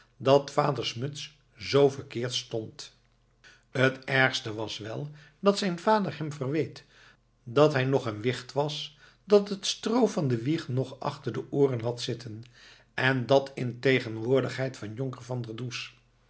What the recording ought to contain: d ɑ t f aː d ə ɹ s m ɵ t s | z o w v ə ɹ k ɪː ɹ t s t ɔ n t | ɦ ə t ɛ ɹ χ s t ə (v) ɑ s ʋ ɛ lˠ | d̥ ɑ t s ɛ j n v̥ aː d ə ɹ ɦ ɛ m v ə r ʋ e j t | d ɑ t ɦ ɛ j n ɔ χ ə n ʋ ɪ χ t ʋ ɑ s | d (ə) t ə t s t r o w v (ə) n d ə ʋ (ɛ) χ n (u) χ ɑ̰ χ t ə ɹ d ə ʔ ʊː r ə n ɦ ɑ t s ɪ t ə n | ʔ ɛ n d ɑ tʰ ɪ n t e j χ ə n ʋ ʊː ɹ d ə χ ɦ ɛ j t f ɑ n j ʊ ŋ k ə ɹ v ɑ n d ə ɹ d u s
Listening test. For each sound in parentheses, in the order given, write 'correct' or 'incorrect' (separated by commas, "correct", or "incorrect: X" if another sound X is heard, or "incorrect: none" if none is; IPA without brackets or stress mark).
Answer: incorrect: ʋ, incorrect: ɑ, incorrect: ɑ, incorrect: i, incorrect: ɔ